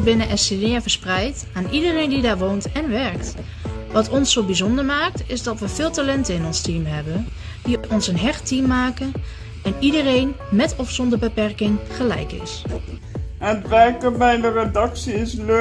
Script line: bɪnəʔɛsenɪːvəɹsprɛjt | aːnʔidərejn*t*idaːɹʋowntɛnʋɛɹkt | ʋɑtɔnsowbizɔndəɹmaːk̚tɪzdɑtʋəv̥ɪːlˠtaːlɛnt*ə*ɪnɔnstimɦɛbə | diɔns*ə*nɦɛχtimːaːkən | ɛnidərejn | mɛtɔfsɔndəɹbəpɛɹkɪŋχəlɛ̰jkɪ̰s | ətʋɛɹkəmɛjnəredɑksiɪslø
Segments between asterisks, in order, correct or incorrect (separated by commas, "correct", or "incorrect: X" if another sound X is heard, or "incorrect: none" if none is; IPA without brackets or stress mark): incorrect: d, correct, correct